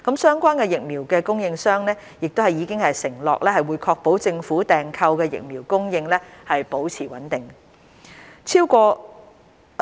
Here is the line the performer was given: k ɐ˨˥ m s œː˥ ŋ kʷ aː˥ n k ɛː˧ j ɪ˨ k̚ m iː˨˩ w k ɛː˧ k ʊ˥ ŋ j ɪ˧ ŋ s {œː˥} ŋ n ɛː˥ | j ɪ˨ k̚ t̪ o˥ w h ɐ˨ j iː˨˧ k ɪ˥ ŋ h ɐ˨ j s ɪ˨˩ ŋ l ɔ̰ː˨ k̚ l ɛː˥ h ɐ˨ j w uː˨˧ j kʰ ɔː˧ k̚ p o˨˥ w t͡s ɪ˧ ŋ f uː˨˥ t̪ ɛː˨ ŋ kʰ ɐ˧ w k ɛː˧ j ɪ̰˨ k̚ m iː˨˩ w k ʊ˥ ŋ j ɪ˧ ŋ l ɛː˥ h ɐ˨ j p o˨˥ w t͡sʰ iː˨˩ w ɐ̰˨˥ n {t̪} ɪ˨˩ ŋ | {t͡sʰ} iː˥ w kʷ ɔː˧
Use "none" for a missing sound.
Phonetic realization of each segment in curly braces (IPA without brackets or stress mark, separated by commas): œː˥, t̪, t͡sʰ